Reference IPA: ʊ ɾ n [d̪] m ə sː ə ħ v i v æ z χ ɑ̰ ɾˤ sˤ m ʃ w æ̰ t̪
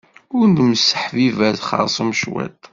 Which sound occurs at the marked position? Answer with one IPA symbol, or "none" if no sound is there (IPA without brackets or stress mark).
d̪